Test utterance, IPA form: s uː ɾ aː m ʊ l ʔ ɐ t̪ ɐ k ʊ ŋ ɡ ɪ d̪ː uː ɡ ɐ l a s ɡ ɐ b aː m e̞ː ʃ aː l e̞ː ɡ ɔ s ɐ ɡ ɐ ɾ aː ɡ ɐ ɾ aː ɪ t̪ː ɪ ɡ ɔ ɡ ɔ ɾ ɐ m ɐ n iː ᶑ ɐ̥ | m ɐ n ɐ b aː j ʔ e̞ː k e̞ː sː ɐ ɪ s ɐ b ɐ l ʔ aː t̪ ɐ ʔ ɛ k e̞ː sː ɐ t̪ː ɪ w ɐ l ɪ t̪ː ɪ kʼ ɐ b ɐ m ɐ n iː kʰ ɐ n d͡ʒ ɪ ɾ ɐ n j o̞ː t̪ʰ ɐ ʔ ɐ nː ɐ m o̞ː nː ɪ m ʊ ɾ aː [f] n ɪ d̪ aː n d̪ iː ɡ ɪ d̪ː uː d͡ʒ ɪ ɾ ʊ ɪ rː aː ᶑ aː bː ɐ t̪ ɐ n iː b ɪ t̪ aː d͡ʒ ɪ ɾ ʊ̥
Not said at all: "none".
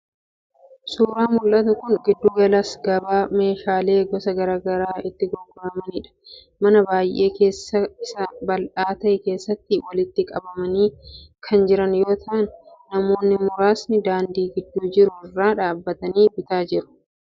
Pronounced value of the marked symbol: s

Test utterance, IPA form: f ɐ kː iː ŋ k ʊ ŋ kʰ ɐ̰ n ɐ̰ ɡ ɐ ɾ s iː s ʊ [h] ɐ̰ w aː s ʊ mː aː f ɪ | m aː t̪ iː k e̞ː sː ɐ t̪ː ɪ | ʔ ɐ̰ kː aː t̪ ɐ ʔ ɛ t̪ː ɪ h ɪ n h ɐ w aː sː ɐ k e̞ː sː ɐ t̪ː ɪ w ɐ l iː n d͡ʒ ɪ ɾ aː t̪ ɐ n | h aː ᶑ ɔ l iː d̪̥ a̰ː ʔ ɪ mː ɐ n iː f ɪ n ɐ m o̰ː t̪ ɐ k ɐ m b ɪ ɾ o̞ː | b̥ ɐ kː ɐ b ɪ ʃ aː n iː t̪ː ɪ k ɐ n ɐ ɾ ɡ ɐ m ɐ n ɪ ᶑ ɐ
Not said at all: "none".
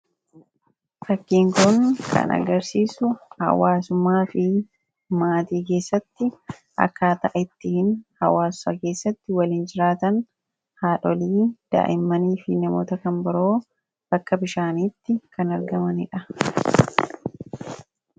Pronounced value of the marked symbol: h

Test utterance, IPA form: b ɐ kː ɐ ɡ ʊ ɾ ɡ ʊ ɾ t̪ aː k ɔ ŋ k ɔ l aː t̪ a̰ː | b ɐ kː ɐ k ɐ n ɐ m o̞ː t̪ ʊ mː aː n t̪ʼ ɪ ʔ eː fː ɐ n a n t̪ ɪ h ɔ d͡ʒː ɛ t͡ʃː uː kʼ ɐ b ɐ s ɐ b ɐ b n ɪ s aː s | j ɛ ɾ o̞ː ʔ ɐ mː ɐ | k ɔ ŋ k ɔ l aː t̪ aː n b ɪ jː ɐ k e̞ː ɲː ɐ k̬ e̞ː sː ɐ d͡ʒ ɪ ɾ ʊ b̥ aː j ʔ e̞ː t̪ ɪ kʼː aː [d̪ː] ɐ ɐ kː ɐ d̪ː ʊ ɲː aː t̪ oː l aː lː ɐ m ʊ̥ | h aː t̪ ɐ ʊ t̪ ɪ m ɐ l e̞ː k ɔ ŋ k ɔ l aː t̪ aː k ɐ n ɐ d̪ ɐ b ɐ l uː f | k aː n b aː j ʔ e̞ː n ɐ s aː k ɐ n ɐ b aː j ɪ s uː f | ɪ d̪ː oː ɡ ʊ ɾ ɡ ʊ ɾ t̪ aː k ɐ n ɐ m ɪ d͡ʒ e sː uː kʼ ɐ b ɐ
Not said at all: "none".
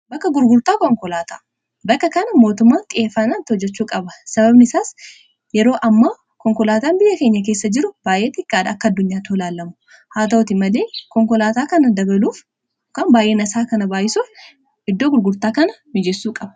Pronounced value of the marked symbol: d̪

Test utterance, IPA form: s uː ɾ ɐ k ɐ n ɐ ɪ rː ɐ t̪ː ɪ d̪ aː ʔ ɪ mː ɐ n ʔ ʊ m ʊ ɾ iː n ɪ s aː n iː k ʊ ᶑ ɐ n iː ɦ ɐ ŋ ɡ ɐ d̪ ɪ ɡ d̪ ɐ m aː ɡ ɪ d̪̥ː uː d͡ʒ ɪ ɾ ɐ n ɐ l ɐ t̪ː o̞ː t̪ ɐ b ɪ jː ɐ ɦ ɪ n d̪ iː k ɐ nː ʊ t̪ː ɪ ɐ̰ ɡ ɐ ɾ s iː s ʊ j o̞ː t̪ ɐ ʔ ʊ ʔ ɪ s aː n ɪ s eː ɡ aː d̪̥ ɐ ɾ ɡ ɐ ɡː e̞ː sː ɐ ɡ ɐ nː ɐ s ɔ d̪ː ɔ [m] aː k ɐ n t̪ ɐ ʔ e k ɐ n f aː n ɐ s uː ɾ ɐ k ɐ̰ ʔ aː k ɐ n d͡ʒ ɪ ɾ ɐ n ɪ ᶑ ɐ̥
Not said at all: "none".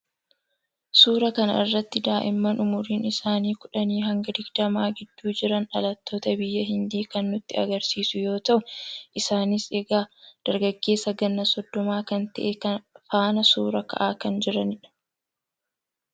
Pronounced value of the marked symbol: m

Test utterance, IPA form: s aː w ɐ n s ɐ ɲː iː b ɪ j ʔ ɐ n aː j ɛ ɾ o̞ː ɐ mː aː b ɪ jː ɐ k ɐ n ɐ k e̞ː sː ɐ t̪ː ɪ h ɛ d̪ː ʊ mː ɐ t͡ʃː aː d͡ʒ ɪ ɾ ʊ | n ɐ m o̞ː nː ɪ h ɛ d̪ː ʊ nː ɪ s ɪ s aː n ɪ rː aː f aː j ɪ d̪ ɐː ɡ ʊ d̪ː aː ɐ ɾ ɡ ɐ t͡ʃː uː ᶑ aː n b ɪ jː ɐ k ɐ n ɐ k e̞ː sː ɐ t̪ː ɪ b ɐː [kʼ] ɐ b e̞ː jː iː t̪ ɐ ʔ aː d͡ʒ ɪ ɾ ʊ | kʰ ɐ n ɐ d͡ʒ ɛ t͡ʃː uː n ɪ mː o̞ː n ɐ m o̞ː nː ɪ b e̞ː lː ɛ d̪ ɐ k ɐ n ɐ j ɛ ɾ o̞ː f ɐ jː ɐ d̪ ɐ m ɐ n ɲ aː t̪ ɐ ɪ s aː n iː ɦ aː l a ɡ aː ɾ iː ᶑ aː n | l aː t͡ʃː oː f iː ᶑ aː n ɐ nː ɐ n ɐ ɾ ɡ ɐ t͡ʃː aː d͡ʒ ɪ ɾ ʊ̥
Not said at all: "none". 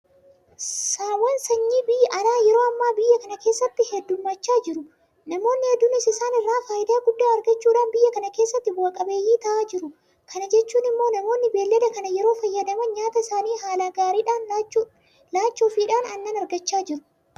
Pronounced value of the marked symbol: kʼ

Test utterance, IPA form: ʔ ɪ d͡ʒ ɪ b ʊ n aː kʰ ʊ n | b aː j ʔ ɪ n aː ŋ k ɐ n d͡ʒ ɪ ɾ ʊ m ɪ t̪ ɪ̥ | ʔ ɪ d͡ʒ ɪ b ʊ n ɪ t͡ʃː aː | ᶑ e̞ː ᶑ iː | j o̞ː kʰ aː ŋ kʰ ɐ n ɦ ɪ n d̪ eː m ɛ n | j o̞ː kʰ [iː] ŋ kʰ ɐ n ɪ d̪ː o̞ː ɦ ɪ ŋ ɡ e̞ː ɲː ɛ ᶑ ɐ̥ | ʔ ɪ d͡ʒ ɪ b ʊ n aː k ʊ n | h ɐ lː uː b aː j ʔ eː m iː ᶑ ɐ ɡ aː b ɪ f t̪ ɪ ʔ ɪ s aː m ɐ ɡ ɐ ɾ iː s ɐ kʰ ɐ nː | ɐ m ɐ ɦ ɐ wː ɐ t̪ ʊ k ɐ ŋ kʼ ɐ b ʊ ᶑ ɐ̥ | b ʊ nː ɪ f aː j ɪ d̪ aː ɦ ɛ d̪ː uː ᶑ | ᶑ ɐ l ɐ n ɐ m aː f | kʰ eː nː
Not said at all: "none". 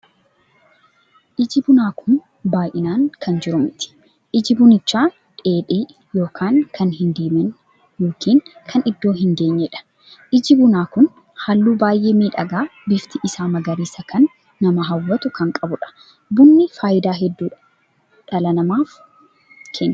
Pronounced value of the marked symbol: iː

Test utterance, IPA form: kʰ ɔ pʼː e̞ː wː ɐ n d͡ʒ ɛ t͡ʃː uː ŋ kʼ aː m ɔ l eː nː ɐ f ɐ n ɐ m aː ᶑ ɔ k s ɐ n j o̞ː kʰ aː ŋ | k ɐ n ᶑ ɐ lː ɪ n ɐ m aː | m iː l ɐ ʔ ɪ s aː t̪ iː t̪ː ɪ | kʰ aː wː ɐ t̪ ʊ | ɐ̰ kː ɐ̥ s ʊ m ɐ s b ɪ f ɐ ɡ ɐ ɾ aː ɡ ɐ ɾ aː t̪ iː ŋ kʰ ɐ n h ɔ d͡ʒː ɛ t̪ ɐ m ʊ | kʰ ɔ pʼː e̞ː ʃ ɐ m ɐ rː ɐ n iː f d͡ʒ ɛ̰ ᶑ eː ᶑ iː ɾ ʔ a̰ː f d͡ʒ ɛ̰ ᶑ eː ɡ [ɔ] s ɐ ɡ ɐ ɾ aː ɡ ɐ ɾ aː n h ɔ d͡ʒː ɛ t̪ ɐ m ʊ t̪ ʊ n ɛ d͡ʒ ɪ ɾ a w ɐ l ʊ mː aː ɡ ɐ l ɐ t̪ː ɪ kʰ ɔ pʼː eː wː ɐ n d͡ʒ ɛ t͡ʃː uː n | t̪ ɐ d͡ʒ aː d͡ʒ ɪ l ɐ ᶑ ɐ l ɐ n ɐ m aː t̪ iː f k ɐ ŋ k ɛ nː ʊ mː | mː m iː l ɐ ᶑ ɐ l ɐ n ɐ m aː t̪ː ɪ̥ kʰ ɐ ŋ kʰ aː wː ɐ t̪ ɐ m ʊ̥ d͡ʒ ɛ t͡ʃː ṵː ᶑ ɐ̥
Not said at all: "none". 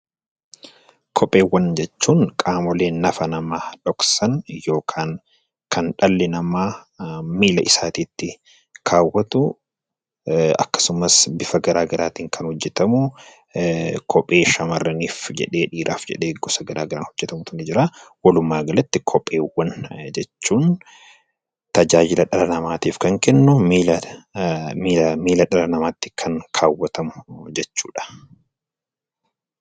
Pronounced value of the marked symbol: ɔ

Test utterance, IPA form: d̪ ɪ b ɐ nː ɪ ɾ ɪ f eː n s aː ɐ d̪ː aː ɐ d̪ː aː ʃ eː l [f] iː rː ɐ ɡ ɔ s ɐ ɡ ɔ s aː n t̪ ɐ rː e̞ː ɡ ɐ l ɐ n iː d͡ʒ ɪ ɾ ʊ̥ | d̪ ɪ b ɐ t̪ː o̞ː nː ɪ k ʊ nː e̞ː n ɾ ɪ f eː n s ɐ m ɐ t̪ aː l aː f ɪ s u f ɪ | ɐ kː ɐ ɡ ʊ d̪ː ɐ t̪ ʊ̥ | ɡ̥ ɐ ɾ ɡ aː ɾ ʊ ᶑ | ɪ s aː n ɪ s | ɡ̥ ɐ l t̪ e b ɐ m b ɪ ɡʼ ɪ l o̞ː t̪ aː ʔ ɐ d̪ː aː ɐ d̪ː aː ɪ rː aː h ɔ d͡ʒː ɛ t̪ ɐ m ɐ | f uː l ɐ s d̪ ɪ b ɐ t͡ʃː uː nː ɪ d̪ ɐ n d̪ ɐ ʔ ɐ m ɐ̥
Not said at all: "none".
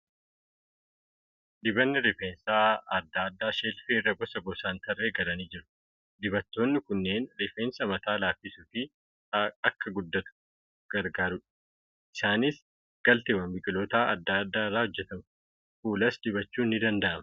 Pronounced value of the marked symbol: f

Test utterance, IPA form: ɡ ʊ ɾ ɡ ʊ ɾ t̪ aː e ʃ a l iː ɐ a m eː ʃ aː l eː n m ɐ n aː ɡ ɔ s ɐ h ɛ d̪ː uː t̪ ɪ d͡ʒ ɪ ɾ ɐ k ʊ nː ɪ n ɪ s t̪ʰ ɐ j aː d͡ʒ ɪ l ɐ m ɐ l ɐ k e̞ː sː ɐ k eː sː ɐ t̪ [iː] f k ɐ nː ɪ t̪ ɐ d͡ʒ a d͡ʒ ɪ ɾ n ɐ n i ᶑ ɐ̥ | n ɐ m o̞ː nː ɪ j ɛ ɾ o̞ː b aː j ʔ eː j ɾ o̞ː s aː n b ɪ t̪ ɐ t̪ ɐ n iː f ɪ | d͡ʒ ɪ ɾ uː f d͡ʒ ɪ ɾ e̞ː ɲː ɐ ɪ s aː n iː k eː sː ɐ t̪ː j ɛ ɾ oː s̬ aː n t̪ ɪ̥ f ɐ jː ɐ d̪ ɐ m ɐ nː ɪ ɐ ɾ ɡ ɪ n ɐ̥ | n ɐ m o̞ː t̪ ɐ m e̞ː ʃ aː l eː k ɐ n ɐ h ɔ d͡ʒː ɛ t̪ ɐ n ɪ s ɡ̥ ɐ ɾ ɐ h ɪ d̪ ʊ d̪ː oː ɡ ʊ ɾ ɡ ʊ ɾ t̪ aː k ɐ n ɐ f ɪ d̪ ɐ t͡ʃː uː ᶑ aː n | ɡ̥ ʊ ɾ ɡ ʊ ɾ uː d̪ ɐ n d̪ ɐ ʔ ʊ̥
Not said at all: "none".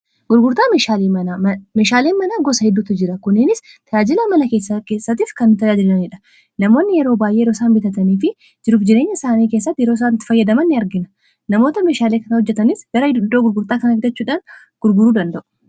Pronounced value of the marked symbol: iː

